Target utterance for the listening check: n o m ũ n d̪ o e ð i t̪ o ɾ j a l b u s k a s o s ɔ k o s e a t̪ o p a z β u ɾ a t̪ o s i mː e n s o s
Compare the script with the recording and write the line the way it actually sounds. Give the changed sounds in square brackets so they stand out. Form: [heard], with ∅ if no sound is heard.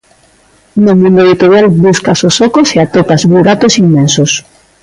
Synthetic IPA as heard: n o m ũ n d̪ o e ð i t̪ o ɾ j a l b u s k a s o s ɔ k o s e a t̪ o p a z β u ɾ a t̪ o s i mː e n s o s